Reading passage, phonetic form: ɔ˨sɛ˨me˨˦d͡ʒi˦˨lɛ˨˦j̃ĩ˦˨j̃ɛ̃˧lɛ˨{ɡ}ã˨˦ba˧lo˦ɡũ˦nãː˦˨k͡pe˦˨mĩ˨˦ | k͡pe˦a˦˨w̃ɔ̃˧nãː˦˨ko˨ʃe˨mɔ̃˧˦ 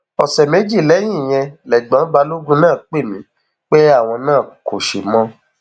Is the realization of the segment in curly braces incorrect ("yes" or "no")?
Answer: yes